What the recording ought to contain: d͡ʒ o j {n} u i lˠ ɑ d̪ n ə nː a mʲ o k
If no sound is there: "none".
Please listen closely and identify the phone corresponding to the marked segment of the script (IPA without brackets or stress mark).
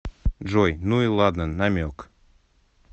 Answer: n